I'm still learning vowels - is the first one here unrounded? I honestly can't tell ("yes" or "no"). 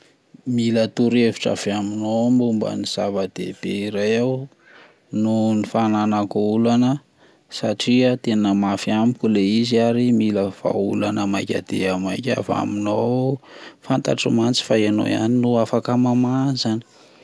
yes